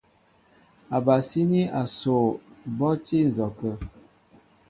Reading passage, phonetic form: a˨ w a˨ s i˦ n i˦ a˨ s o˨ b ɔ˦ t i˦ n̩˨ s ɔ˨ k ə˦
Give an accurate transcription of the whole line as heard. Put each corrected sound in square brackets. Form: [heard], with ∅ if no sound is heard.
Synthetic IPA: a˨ [b] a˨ s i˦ n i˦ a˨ s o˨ b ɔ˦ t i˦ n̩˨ [z] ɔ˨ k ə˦